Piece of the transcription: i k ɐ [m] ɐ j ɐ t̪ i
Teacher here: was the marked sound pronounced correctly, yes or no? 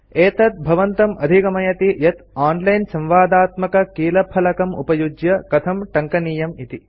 yes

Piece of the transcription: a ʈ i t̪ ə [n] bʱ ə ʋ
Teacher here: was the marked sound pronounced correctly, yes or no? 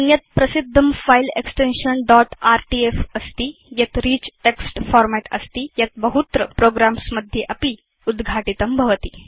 no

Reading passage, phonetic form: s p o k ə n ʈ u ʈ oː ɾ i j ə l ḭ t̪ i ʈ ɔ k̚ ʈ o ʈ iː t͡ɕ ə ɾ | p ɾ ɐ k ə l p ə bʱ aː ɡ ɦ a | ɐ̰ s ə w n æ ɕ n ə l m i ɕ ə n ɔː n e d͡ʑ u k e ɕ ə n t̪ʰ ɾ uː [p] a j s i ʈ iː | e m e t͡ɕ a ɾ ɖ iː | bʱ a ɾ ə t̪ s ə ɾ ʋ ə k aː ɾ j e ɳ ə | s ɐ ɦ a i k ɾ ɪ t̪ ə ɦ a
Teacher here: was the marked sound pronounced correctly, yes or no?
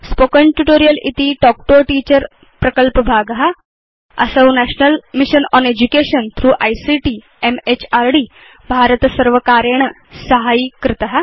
no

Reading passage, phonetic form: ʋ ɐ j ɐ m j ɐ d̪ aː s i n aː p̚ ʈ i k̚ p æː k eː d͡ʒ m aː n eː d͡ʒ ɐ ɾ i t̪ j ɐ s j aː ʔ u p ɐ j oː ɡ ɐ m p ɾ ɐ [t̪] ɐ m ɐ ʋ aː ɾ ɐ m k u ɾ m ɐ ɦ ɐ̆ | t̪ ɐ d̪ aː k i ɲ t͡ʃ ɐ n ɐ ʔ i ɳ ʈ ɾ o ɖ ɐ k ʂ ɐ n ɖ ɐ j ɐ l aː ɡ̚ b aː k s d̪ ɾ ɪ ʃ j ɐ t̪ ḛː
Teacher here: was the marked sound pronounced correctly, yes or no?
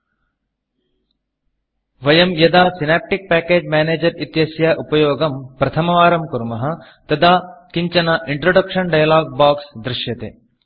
no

